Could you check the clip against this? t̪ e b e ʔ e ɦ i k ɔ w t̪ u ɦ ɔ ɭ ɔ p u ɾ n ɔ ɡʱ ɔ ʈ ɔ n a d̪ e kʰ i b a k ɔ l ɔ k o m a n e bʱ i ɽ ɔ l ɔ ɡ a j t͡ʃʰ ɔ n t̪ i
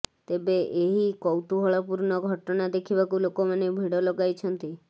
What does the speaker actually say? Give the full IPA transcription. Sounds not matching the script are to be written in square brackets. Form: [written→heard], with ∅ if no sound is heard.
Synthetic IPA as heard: t̪ e b e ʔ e ɦ i k ɔ w t̪ u ɦ ɔ ɭ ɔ p u ɾ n ɔ ɡʱ ɔ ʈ ɔ n a d̪ e kʰ i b a k [ɔ→u] l [ɔ→o] k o m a n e bʱ i ɽ ɔ l ɔ ɡ a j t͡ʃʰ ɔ n t̪ i